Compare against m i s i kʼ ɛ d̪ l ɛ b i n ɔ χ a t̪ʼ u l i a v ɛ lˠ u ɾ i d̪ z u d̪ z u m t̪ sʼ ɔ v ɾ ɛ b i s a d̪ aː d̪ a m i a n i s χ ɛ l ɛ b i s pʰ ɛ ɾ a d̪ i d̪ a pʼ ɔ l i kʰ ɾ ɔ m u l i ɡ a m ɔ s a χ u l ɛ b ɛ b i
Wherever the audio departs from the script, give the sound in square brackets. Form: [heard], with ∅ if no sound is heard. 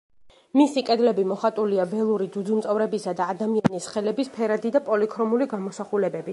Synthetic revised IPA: m i s i kʼ ɛ d̪ l ɛ b i [m] ɔ χ a t̪ʼ u l i a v ɛ lˠ u ɾ i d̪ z u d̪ z u m t̪ sʼ ɔ v ɾ ɛ b i s a d̪ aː d̪ a m i a n i s χ ɛ l ɛ b i s pʰ ɛ ɾ a d̪ i d̪ a pʼ ɔ l i kʰ ɾ ɔ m u l i ɡ a m ɔ s a χ u l ɛ b ɛ b i